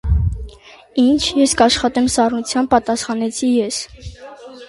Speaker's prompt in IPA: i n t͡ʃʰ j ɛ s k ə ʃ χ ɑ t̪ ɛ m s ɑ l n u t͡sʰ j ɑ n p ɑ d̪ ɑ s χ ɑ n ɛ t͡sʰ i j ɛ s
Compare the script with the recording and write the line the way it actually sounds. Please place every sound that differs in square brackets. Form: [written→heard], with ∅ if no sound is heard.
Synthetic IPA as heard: i n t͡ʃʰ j ɛ s k [ə→ɑ] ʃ χ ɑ t̪ ɛ m s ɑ [l→r] n u t͡sʰ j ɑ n p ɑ [d̪→t̪] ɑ s χ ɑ n ɛ t͡sʰ i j ɛ s

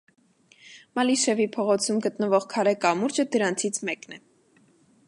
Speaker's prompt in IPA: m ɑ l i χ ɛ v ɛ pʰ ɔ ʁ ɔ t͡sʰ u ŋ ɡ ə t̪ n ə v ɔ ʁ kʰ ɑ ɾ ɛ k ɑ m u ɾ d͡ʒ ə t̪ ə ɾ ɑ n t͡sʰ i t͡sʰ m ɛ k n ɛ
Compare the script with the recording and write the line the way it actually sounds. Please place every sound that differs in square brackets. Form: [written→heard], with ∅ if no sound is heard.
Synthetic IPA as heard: m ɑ l i [χ→ʃ] ɛ v [ɛ→i] pʰ ɔ ʁ ɔ t͡sʰ u [ŋ→m] ɡ ə t̪ n ə v ɔ ʁ kʰ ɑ ɾ ɛ k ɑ m u ɾ d͡ʒ ə [t̪→d̪] ə ɾ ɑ n t͡sʰ i t͡sʰ m ɛ k n ɛ

